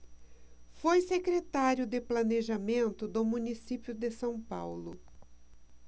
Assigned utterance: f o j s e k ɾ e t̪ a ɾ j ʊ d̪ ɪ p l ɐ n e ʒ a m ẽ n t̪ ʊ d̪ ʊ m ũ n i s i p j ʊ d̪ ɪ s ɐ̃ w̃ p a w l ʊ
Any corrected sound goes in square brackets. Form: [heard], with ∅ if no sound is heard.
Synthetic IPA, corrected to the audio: f o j s e k ɾ e t̪ a ɾ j ʊ d̪ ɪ p l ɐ n e ʒ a m ẽ n t̪ ʊ d̪ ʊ m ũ n i s i p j ʊ d̪ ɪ s ɐ̃ w̃ p a w l ʊ